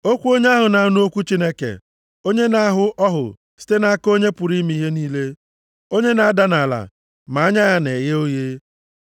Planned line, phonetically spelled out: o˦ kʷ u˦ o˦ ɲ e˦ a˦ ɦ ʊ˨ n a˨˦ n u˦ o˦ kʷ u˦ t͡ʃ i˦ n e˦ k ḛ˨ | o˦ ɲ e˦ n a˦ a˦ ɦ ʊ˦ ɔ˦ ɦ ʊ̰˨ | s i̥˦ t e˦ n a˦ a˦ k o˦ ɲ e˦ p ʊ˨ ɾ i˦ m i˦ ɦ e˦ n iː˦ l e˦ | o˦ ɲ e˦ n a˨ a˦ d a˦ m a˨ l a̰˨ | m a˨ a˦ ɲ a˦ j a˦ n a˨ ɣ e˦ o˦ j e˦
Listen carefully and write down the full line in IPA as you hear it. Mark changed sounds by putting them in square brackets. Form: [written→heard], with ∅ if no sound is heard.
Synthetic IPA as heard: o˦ kʷ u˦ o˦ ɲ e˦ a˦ ɦ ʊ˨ n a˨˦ n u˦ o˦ kʷ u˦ t͡ʃ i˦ n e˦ k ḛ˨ | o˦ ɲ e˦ n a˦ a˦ ɦ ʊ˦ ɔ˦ ɦ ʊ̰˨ | s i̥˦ t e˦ n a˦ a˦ k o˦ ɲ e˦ p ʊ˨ ɾ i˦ m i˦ ɦ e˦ n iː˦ l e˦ | o˦ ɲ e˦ n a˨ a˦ d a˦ [m→n] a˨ l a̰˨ | m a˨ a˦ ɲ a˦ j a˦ n [a˨→e˨] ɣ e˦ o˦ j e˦